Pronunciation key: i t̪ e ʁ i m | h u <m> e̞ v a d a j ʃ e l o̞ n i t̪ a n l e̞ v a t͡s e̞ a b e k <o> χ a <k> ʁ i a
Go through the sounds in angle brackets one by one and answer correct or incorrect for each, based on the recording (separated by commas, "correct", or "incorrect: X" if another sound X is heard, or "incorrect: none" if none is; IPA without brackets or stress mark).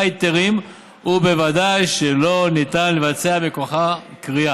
incorrect: b, correct, correct